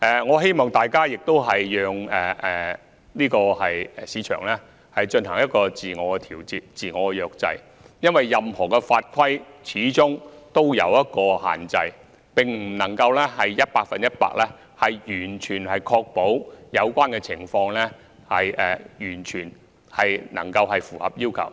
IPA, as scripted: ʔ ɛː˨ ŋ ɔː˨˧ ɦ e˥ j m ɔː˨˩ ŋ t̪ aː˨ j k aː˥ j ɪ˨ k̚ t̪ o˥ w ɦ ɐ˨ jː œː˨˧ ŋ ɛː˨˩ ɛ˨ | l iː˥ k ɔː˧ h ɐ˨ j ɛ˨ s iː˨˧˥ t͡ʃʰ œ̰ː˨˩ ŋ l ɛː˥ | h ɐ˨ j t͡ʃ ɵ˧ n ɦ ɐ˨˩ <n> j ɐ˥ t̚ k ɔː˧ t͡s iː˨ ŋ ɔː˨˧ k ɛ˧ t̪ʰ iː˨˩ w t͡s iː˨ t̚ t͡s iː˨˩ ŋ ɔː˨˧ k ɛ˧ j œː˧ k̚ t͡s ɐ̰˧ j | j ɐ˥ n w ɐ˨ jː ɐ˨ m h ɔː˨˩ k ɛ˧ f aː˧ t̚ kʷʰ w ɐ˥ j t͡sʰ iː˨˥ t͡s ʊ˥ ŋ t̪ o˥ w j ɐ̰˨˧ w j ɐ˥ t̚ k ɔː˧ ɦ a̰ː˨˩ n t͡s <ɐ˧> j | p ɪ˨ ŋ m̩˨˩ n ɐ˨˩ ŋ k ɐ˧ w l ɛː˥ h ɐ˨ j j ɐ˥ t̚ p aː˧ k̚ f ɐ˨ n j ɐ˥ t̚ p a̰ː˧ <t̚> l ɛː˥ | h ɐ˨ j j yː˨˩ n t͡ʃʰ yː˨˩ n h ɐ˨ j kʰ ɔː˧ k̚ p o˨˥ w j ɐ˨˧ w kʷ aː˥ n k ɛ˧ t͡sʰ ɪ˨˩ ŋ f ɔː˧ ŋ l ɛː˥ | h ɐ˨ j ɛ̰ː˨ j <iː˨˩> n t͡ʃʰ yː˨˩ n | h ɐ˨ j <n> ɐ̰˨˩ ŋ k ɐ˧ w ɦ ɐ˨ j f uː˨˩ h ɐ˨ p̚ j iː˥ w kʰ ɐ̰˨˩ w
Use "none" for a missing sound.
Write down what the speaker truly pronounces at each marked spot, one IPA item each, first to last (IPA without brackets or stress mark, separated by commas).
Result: ŋ, ɐ˧, k̚, yː˨˩, n